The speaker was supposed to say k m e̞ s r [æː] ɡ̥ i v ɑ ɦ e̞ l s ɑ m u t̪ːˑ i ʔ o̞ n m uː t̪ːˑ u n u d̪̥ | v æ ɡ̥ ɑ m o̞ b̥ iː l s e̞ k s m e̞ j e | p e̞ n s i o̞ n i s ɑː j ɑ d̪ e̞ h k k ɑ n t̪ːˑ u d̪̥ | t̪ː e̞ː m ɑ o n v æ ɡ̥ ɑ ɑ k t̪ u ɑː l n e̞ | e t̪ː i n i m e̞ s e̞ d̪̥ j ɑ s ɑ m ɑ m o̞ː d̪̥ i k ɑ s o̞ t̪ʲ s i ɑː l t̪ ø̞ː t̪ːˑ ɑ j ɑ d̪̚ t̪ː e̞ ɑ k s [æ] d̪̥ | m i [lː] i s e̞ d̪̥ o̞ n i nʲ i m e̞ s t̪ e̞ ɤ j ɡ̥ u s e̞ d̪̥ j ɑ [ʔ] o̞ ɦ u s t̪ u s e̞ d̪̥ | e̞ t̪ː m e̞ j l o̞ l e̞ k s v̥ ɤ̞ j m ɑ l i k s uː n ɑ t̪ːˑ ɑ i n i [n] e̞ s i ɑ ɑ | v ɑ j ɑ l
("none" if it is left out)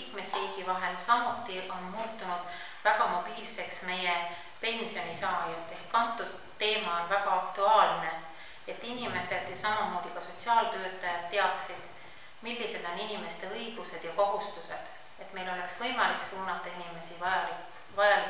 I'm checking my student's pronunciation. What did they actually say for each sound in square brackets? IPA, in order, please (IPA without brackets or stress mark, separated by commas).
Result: iː, i, lː, k, m